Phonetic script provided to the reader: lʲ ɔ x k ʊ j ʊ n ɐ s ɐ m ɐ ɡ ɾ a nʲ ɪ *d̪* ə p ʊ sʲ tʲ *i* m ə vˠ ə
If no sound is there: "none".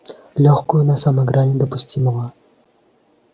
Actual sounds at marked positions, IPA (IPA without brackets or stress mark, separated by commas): d̪, i